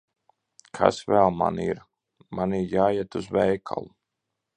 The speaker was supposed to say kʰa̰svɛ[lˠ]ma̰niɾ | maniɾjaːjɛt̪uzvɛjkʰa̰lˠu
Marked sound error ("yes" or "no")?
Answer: no